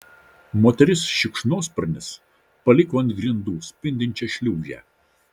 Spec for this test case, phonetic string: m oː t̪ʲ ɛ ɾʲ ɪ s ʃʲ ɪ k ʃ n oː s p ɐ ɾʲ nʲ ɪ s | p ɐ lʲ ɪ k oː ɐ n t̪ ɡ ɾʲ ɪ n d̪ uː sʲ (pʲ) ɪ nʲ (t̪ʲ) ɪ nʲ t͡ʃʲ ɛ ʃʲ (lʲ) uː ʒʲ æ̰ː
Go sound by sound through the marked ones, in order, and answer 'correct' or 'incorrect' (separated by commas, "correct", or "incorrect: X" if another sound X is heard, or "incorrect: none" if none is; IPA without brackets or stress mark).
correct, incorrect: d̪ʲ, correct